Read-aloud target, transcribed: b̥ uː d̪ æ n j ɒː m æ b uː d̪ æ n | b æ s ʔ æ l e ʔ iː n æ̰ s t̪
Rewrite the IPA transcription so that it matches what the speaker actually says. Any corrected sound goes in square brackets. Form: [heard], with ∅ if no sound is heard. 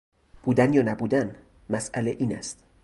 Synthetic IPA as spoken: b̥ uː d̪ æ n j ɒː [n] æ b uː d̪ æ n | [m] æ s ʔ æ l e ʔ iː n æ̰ s t̪